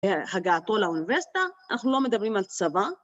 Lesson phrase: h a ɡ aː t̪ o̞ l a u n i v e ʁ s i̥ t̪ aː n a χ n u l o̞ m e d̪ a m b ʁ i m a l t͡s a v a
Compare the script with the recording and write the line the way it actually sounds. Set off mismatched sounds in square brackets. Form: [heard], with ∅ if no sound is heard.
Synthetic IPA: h a ɡ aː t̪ o̞ l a u n i v e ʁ s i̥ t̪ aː n a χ n u l o̞ m e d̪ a [∅] b ʁ i m a l t͡s a v a